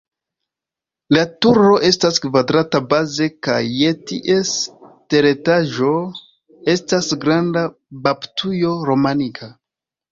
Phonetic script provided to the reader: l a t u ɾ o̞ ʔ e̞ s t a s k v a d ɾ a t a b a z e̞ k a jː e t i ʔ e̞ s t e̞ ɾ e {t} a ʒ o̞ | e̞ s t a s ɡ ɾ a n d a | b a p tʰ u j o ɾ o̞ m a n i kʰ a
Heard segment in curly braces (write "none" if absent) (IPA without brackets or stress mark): t